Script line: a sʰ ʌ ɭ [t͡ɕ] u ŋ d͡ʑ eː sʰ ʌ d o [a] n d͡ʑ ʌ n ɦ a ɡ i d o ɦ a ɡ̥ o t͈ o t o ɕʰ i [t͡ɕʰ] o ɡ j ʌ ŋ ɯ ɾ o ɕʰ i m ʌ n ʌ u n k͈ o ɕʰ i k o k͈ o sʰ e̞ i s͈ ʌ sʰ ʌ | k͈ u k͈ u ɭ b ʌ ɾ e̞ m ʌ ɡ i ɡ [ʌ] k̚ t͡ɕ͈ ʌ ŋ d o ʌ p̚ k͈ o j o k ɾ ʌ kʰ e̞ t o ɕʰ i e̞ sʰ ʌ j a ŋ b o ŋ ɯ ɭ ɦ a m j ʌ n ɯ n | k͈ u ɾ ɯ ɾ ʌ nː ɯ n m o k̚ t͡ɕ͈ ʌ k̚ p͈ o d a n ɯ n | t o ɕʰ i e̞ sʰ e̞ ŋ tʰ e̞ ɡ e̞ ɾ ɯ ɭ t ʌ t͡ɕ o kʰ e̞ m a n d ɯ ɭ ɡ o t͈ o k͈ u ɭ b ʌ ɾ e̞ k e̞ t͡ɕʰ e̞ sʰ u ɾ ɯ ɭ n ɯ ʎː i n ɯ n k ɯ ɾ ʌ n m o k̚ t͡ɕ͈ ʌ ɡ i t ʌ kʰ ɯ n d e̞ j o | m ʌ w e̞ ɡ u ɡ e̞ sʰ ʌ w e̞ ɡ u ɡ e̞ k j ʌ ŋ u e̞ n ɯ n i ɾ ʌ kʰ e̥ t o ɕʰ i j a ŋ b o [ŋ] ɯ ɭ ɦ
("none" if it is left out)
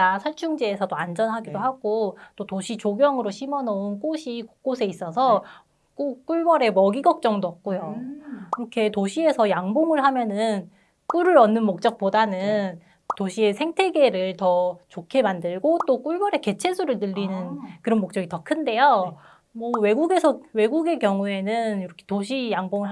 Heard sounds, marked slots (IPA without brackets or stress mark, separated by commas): t͡ɕʰ, a, t͡ɕ, ʌ, ŋ